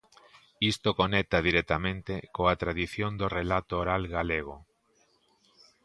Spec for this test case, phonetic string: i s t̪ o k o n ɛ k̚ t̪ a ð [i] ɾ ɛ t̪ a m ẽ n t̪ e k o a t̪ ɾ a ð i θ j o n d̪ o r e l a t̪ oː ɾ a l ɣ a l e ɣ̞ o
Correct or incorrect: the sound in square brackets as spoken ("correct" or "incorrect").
correct